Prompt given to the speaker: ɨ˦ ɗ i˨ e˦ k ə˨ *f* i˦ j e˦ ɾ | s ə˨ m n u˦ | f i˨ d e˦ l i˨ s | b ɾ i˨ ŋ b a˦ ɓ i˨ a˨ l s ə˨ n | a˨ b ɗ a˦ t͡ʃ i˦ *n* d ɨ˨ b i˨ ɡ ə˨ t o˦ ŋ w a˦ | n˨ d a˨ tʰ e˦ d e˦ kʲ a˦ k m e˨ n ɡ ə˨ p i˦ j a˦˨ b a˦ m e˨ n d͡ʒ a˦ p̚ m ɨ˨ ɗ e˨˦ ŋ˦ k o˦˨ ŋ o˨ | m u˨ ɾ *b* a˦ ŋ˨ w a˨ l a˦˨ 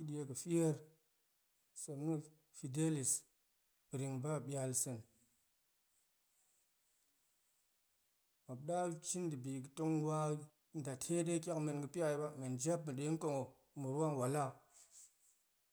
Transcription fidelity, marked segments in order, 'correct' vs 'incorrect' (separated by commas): correct, correct, incorrect